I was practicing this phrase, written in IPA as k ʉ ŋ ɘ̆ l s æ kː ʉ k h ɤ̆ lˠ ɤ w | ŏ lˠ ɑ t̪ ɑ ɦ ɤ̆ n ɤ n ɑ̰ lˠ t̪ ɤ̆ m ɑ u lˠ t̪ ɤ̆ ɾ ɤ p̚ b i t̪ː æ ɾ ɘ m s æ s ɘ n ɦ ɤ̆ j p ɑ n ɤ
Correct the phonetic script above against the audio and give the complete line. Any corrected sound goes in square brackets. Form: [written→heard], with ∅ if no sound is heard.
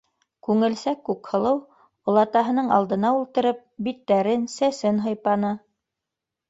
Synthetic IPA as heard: k ʉ ŋ ɘ̆ l s æ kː ʉ k h ɤ̆ lˠ ɤ w | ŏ lˠ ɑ t̪ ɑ ɦ ɤ̆ n ɤ [n→ɴ] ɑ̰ lˠ [t̪→d̪] ɤ̆ [m→n] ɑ u lˠ t̪ ɤ̆ ɾ ɤ p̚ b i t̪ː æ ɾ ɘ [m→n] s æ s ɘ n ɦ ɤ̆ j p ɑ n ɤ